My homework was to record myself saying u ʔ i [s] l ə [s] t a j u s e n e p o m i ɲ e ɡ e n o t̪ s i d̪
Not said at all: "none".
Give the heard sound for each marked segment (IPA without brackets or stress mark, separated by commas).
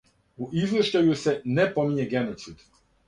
z, ʃ